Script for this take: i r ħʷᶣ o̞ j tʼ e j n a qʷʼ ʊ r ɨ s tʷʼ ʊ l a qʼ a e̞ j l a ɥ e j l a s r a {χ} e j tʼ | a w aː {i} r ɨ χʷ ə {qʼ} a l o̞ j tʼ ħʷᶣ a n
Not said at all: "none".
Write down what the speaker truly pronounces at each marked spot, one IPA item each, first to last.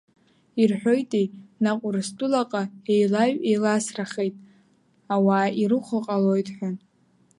χ, i, qʼ

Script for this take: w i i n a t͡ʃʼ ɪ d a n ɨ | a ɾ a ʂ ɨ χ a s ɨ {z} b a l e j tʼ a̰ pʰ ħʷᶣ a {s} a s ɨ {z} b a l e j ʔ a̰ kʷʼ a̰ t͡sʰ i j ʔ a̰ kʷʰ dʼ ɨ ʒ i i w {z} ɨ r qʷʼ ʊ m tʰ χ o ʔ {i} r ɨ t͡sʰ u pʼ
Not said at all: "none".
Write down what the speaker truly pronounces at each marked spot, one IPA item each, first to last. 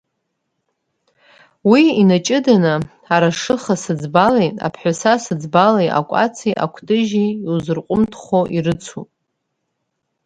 d͡z, s, d͡z, z, i

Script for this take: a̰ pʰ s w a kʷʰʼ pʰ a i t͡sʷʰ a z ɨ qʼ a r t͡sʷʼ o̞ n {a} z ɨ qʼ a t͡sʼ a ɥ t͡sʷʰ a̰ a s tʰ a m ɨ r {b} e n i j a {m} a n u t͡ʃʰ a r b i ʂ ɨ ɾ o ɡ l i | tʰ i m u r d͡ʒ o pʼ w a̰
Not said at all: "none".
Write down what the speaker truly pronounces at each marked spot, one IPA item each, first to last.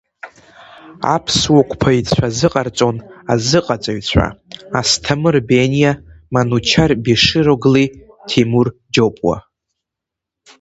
a, b, m

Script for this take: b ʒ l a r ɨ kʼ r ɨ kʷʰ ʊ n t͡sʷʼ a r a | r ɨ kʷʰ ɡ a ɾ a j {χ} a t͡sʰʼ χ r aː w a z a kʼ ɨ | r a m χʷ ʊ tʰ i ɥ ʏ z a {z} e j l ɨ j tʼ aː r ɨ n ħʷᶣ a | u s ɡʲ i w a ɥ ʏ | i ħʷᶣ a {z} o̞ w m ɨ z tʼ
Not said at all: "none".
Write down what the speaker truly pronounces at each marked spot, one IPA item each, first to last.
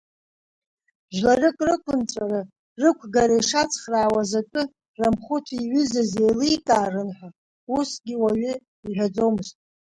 ʂ, z, d͡z

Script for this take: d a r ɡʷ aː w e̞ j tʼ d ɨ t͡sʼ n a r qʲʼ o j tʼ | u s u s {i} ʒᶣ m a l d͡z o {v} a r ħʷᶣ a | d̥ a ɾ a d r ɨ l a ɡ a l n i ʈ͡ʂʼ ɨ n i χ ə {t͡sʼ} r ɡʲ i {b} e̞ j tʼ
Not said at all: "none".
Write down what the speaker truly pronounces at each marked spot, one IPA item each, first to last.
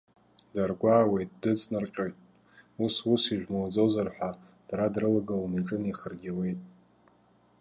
i, z, none, w

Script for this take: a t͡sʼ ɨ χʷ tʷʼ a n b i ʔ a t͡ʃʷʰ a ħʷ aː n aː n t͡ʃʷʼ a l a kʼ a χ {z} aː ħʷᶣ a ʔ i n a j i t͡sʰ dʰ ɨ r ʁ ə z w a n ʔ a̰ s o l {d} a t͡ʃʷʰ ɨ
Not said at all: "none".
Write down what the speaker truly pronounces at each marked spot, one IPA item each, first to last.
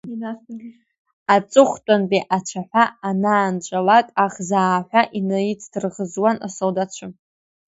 z, d

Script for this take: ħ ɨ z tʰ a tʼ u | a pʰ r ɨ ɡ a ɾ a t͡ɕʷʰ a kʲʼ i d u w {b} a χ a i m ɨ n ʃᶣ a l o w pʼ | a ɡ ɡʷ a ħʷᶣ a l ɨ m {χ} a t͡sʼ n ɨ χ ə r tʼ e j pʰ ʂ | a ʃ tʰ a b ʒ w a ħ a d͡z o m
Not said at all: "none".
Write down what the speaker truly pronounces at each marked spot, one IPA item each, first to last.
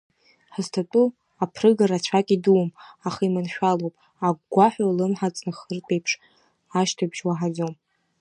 m, ħ

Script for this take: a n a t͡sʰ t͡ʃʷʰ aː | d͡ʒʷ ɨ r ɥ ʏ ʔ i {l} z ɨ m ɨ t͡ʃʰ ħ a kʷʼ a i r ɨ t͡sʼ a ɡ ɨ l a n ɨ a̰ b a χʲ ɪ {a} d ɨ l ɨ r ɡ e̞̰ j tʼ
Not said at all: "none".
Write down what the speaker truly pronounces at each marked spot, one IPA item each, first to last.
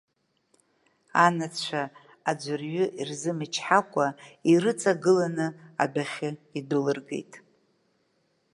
r, i

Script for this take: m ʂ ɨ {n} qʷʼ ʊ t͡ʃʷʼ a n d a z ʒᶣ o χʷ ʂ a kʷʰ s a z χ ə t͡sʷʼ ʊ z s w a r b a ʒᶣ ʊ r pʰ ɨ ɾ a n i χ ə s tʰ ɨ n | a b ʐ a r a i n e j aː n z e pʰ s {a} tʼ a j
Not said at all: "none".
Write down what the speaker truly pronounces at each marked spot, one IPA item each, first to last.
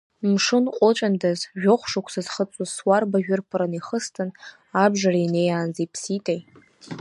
n, i

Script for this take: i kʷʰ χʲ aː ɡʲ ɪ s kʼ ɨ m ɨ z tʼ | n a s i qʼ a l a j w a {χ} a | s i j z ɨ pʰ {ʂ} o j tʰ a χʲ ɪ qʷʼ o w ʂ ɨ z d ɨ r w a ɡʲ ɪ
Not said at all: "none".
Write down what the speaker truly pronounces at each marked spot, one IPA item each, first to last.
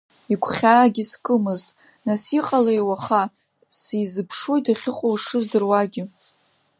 χ, ʂ

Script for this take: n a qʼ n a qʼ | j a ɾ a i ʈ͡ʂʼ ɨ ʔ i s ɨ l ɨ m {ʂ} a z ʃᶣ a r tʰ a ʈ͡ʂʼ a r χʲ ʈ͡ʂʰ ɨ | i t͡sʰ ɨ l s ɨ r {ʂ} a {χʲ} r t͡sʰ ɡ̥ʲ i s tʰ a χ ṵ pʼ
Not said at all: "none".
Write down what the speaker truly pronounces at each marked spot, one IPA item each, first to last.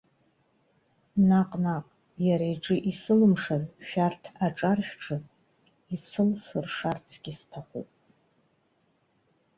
ʂ, ʂ, none

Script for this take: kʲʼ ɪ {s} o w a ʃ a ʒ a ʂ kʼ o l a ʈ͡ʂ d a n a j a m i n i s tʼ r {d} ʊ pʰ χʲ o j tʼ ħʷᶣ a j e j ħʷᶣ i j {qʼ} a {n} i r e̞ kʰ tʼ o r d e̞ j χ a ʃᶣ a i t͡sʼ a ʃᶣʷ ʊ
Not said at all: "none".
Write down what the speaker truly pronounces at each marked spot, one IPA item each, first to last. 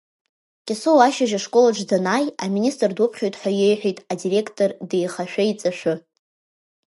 s, d, tʼ, d

